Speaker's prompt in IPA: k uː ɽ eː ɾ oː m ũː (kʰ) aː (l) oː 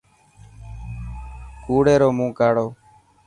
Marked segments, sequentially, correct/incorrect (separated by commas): incorrect, incorrect